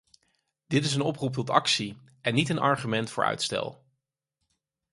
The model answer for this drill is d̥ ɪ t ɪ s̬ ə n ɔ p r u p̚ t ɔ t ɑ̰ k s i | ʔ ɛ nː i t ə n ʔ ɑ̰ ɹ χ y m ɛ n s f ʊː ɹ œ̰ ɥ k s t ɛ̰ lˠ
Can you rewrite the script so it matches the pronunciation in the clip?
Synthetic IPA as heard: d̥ ɪ t ɪ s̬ ə n ɔ p r u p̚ t ɔ t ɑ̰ k s i | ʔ ɛ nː i t ə n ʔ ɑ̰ ɹ χ y m ɛ n t f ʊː ɹ œ̰ ɥ t s t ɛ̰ lˠ